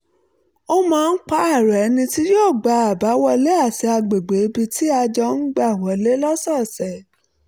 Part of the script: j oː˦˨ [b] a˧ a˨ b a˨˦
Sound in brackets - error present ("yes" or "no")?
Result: yes